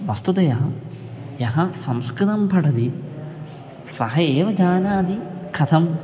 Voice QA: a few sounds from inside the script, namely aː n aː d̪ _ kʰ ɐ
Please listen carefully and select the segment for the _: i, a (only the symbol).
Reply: i